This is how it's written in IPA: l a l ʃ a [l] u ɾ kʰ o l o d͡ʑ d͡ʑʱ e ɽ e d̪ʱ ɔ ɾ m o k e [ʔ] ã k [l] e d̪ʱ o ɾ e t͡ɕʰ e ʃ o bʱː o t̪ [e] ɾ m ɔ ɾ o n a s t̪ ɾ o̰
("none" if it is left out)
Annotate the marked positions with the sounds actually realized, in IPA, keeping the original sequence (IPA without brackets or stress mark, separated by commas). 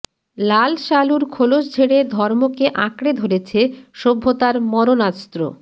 l, ʔ, ɽ, a